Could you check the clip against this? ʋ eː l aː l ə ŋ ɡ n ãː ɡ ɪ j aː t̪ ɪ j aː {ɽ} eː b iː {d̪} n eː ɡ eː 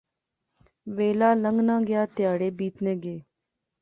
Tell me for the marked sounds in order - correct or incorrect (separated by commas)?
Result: correct, incorrect